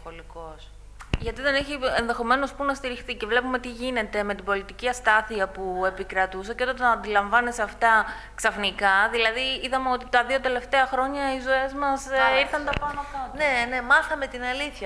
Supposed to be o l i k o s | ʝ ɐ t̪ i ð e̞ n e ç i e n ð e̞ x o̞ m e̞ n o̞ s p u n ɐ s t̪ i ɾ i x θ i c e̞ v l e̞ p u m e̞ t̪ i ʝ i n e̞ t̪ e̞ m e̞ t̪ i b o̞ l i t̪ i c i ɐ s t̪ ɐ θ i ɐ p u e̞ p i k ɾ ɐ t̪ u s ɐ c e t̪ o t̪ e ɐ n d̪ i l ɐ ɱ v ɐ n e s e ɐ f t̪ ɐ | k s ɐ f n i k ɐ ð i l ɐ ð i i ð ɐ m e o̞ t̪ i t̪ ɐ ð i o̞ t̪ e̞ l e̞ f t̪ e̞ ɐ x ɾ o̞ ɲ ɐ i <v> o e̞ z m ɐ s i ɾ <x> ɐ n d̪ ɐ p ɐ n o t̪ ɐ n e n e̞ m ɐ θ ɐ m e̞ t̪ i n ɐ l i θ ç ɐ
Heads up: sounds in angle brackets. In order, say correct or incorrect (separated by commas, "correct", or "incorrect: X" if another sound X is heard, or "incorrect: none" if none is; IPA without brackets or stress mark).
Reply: incorrect: z, incorrect: θ